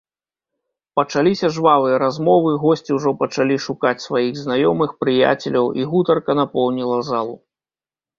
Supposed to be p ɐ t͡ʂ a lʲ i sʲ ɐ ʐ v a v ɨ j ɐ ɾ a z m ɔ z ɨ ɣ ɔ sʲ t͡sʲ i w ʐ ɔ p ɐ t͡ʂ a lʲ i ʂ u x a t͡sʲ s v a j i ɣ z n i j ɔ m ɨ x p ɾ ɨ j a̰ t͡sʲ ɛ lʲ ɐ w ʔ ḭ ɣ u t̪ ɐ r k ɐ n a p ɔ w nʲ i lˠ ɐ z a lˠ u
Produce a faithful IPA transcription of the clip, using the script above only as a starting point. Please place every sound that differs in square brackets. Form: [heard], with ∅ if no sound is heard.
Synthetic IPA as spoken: p ɐ t͡ʂ a lʲ i sʲ ɐ ʐ v a v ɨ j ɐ ɾ a z m ɔ [v] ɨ ɣ ɔ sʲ t͡sʲ i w ʐ ɔ p ɐ t͡ʂ a lʲ i ʂ u [k] a t͡sʲ s v a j i ɣ z n [a] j ɔ m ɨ x p ɾ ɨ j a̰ t͡sʲ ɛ lʲ ɐ w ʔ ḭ ɣ u t̪ ɐ r k ɐ n a p ɔ w nʲ i lˠ ɐ z a lˠ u